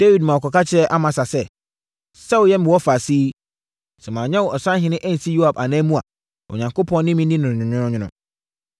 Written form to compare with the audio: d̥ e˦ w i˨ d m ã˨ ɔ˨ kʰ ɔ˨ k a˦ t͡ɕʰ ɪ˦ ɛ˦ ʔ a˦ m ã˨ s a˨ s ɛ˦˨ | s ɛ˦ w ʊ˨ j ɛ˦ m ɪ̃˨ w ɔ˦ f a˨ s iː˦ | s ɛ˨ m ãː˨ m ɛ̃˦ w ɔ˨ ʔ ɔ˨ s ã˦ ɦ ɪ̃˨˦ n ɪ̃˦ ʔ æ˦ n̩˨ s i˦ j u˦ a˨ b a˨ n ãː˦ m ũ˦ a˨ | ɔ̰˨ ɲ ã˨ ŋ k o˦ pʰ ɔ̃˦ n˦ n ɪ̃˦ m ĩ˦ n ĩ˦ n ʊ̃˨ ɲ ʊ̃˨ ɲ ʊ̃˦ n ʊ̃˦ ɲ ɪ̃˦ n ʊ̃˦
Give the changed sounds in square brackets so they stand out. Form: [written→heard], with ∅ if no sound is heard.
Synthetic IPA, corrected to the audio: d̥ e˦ w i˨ d m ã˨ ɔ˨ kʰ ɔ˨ k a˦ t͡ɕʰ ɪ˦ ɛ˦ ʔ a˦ m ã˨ s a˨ s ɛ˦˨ | s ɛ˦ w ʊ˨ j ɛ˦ m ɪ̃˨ w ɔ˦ f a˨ s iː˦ | s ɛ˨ m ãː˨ [m→ɲ] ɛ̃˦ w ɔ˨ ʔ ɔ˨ s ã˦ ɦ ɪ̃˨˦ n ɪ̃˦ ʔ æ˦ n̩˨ s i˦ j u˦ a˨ b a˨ n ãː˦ m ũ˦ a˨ | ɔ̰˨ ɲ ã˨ ŋ k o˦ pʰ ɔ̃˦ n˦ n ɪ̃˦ m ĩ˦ n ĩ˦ n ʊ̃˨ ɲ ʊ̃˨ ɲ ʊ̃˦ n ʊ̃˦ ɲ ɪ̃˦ n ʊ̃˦